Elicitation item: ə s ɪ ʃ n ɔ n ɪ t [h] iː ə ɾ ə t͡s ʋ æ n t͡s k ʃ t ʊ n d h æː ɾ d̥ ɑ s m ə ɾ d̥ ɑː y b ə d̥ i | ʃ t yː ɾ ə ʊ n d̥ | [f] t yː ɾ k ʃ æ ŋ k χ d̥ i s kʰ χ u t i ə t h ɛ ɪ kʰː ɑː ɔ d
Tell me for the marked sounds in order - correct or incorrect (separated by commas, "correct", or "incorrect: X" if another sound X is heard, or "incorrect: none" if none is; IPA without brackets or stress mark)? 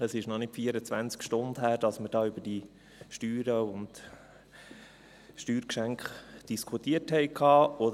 incorrect: f, incorrect: ʃ